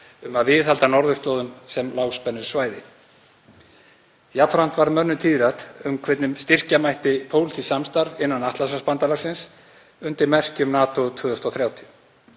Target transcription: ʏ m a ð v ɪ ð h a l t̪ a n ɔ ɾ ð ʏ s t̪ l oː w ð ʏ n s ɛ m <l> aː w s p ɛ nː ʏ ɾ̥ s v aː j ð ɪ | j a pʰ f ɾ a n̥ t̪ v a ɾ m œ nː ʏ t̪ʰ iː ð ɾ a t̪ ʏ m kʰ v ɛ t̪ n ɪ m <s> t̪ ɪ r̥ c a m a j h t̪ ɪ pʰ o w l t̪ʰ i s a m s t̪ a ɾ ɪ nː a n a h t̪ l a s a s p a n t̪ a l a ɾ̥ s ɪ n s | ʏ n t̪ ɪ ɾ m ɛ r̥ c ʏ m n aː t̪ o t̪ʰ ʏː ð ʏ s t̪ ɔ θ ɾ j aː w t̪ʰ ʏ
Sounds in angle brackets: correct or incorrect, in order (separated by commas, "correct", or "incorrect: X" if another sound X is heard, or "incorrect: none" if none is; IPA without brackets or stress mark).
correct, correct